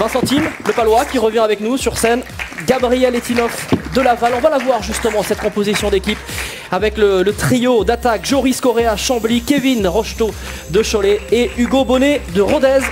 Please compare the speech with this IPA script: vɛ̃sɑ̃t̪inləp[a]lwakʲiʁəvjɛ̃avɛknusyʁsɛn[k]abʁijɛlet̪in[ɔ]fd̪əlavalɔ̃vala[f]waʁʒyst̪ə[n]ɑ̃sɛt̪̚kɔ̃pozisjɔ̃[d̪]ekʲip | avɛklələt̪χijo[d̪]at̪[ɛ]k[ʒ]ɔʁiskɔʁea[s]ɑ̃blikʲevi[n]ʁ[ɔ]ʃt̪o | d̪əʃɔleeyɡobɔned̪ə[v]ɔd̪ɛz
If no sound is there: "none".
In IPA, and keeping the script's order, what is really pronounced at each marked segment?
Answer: a, ɡ, ɔ, v, m, d̪, d̪, a, ʒ, ʃ, n, ɔ, ʁ

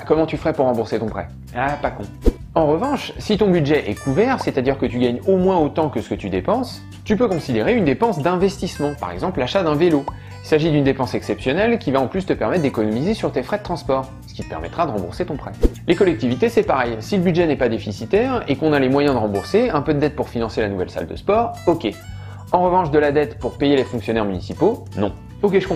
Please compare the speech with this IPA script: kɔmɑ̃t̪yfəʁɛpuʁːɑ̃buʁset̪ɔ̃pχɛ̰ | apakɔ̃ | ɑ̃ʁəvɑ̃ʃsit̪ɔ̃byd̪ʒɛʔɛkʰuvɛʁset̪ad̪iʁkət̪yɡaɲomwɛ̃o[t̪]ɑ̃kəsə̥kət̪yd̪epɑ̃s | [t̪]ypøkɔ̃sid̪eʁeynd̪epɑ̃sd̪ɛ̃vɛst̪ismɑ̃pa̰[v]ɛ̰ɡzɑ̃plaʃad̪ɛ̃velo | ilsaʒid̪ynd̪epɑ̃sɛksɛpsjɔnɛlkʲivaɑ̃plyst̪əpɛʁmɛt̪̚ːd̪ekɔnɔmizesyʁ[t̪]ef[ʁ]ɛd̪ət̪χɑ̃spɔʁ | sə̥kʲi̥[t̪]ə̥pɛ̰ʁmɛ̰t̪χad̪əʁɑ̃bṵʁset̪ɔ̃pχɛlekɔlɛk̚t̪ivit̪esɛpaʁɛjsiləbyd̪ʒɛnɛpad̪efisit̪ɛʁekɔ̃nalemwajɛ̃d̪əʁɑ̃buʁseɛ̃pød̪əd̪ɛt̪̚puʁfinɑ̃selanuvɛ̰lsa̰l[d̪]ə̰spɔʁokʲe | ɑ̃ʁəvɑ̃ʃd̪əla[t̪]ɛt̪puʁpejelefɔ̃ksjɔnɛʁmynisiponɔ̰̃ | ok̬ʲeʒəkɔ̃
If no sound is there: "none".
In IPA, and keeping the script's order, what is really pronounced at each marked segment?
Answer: t̪, t̪, ʁ, t̪, χ, t̪, d̪, d̪

